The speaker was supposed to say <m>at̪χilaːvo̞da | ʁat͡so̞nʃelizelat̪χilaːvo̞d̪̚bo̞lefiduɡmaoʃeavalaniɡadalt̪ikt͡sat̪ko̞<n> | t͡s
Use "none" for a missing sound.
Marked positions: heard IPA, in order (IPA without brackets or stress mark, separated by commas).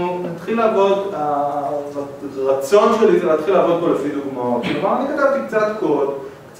n, d